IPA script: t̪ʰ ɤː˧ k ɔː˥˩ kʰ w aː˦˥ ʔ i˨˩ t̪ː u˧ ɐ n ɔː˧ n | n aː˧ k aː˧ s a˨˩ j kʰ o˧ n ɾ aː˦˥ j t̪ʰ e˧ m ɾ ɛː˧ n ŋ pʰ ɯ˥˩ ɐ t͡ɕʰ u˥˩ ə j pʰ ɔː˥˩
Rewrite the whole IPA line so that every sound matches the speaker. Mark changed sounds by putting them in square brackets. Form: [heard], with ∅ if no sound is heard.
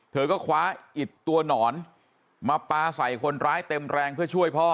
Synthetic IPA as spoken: t̪ʰ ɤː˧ k ɔː˥˩ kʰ w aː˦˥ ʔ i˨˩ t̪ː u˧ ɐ n [ɔː˩˦] n | [m] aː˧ [p] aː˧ s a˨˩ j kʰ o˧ n ɾ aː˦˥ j [t̪] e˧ m ɾ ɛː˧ [∅] ŋ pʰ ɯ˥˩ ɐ t͡ɕʰ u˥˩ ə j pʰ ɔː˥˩